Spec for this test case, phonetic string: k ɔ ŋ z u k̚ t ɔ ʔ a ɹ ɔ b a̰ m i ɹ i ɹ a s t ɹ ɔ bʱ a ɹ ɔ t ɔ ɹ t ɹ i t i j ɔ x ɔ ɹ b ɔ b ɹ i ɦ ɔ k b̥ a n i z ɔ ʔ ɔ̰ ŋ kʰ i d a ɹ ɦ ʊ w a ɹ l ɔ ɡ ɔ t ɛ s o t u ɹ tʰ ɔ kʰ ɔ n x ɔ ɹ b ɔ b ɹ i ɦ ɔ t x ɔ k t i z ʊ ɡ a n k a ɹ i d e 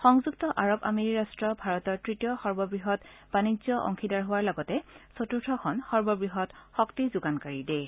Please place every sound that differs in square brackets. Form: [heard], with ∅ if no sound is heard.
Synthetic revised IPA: [x] ɔ ŋ z u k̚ t ɔ ʔ a ɹ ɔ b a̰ m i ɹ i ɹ a s t ɹ ɔ bʱ a ɹ ɔ t ɔ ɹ t ɹ i t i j ɔ x ɔ ɹ b ɔ b ɹ i ɦ ɔ [t] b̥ a n i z ɔ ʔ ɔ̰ ŋ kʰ i d a ɹ ɦ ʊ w a ɹ l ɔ ɡ ɔ t ɛ s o t u ɹ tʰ ɔ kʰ ɔ n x ɔ ɹ b ɔ b ɹ i ɦ ɔ t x ɔ k t i z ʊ ɡ a n k a ɹ i d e